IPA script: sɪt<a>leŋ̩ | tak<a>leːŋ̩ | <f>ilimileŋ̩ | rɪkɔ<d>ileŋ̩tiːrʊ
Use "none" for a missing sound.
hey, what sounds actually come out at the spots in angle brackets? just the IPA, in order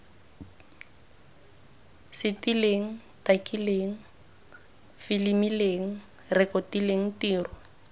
i, i, f, t

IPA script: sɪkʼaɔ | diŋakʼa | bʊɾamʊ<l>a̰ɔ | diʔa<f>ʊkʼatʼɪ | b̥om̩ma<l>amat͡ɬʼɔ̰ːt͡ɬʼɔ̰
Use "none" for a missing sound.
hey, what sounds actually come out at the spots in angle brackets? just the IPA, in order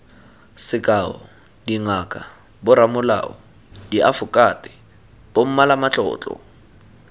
l, f, l

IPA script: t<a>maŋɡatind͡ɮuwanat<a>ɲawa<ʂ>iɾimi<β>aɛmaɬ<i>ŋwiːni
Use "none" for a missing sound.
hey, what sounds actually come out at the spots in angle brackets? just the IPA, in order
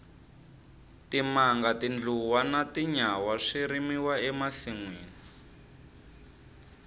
i, i, ʂ, w, i

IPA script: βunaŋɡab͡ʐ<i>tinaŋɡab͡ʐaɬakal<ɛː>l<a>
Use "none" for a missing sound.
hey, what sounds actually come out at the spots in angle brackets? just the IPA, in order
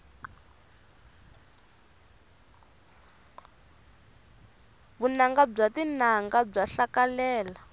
a, ɛː, a

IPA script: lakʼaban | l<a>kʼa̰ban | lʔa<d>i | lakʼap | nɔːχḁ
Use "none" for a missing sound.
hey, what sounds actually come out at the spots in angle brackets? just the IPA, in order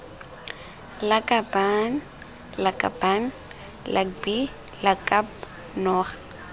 a, b

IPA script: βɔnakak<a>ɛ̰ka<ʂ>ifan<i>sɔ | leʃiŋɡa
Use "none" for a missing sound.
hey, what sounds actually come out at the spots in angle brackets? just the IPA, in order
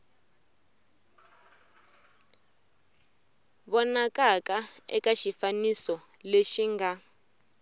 a, ʃ, i

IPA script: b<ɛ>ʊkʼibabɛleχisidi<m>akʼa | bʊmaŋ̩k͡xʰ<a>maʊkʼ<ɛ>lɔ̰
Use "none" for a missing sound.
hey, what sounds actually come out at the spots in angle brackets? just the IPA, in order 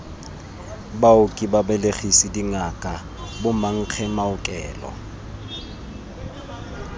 a, ŋ, ɛ, ɛː

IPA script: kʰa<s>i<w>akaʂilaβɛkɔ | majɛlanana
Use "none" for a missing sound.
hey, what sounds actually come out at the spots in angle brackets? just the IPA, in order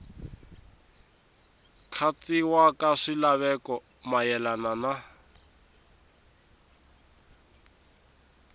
t͡s, w

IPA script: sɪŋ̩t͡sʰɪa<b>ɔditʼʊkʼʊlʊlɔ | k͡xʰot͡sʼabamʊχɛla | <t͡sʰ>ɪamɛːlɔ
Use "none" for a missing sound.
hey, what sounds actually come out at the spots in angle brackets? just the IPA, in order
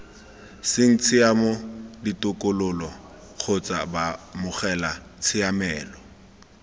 m, t͡sʰ

